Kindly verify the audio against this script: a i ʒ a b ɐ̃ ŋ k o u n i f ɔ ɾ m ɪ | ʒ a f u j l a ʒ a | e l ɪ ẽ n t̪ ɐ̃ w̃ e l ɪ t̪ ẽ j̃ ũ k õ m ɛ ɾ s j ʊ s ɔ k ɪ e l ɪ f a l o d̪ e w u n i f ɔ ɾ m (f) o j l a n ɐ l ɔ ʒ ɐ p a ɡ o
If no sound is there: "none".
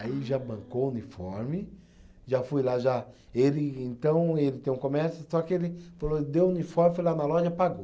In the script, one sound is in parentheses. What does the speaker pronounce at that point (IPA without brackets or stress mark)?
f